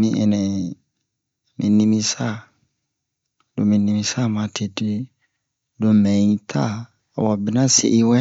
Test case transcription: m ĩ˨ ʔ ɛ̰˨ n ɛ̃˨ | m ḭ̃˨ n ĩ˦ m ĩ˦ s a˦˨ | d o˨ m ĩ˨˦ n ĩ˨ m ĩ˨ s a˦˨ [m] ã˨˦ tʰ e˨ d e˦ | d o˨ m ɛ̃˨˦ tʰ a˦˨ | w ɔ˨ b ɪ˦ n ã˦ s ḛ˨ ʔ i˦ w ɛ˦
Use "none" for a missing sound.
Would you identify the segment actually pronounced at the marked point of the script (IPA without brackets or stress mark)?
m